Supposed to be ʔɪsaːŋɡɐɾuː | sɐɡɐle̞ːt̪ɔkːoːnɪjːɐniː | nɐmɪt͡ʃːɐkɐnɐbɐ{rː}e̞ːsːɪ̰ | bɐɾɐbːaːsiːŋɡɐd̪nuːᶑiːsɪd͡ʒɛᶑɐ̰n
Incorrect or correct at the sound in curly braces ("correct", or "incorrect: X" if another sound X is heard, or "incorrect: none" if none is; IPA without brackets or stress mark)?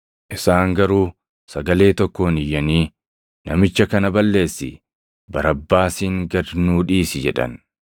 incorrect: lː